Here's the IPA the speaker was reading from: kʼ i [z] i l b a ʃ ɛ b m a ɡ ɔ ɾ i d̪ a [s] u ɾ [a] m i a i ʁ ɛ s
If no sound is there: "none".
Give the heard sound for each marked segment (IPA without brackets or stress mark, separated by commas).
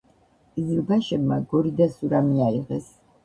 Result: z, s, a